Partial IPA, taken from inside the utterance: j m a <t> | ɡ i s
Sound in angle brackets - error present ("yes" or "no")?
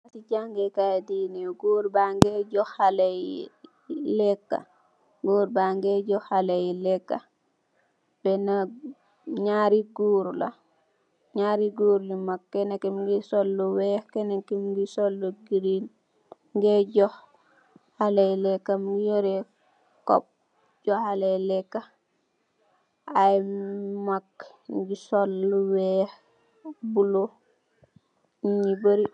yes